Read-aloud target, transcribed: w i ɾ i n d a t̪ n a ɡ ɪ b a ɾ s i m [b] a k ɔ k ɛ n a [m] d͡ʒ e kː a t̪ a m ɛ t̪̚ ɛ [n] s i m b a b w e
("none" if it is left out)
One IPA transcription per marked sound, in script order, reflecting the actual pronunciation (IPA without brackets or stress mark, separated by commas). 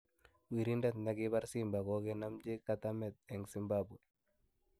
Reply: b, m, ŋ